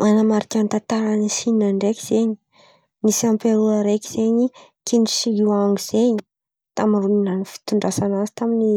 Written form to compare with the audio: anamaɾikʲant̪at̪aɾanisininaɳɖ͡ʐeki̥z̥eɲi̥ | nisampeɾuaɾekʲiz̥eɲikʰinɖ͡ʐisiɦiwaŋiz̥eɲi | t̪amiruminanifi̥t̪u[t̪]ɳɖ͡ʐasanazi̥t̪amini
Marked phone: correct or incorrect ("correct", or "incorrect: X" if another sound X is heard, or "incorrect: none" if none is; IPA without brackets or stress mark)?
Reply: incorrect: none